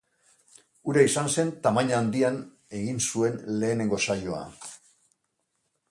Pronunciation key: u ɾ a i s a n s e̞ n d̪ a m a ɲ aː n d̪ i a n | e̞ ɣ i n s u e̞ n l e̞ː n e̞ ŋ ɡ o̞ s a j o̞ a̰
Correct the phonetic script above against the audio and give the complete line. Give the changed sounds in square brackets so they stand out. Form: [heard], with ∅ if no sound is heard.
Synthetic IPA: u ɾ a i s a n s e̞ n [t̪] a m a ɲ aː n d̪ i a n | e̞ ɣ i n s u e̞ n l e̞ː n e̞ ŋ ɡ o̞ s a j o̞ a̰